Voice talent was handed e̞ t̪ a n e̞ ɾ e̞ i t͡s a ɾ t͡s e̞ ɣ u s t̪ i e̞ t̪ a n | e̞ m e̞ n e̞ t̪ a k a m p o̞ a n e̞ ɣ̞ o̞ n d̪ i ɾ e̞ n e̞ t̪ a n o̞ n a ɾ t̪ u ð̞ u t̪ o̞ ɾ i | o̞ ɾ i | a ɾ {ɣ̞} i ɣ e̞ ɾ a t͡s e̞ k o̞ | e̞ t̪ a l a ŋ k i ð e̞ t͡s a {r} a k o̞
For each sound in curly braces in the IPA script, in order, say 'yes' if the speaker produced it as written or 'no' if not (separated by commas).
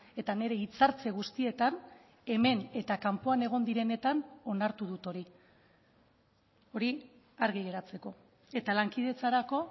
yes, no